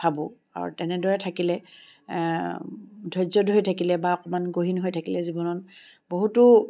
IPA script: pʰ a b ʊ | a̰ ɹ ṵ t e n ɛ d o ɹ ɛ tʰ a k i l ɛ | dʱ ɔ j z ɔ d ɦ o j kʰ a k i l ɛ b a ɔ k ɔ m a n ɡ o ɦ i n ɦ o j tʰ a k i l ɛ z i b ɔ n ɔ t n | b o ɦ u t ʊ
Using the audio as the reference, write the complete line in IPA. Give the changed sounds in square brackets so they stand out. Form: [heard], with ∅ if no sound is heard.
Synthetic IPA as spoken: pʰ a b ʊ | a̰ ɹ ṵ t [ɛ] n ɛ d [ɔ] ɹ ɛ tʰ a k i l ɛ | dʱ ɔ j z ɔ d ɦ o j [tʰ] a k i l ɛ b a ɔ k ɔ m a n ɡ o ɦ i n ɦ o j tʰ a k i l ɛ z i b ɔ n ɔ [∅] n | b o ɦ u t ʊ